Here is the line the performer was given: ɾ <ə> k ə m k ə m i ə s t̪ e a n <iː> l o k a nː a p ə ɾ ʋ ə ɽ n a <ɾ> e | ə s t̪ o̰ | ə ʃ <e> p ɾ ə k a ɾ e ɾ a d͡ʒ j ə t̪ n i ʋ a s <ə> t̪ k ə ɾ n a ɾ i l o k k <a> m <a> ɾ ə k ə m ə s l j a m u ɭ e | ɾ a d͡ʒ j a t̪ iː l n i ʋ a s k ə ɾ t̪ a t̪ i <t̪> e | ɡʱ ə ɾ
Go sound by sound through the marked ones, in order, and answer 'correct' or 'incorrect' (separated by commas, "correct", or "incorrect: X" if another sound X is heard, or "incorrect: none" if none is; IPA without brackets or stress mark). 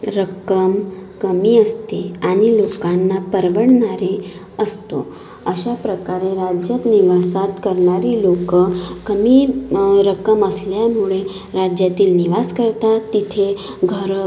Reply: correct, incorrect: i, correct, incorrect: a, incorrect: a, incorrect: ə, incorrect: i, incorrect: t̪ʰ